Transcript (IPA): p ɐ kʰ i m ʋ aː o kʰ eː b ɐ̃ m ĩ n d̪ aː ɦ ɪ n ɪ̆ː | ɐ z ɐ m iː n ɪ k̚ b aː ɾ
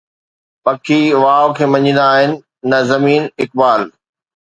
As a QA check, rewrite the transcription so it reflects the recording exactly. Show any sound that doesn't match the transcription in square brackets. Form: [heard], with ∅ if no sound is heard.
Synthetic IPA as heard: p ɐ kʰ i [∅] ʋ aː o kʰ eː [m] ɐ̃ [ɲ] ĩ n d̪ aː ɦ ɪ n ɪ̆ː | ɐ z ɐ m iː n ɪ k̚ b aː [l]